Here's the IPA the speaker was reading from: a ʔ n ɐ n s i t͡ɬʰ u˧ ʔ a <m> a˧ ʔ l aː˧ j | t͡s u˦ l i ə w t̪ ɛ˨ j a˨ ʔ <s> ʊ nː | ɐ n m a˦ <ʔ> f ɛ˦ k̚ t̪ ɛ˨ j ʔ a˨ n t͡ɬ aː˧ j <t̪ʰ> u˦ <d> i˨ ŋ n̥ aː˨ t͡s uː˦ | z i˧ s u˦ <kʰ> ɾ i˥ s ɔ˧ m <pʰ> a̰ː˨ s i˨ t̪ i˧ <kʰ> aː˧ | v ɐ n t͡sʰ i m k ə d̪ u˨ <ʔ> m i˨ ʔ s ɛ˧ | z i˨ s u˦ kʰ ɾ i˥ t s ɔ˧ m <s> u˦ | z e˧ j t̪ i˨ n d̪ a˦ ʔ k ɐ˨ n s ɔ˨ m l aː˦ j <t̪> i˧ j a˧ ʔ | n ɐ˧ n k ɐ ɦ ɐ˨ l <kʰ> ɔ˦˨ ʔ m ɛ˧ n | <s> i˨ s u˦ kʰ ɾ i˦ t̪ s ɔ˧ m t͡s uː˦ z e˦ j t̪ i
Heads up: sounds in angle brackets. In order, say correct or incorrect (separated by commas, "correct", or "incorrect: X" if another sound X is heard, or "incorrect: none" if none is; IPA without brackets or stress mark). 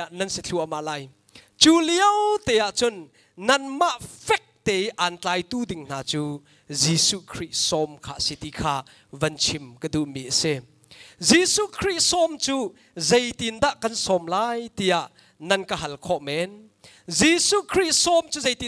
correct, incorrect: t͡s, correct, incorrect: t̪, correct, correct, incorrect: kʰ, correct, correct, incorrect: t͡s, correct, correct, incorrect: z